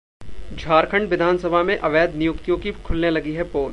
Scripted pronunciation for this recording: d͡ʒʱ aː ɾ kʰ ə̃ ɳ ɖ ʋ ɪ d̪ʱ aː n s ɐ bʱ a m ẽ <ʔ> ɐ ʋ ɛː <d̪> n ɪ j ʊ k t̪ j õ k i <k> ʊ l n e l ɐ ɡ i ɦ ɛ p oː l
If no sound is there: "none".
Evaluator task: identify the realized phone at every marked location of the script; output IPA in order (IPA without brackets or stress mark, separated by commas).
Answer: ʔ, d̪, kʰ